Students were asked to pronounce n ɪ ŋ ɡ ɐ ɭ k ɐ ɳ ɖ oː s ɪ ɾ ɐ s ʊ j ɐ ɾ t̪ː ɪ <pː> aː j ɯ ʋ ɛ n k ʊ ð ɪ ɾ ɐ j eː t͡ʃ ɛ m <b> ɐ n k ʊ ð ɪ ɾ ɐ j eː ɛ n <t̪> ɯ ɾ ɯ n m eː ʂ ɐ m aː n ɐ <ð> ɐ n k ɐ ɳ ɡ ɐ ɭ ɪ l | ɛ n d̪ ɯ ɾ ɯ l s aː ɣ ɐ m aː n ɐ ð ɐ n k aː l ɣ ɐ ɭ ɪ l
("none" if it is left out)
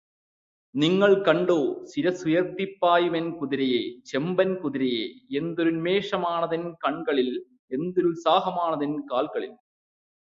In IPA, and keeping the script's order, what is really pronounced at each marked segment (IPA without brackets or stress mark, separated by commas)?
pː, b, d̪, ð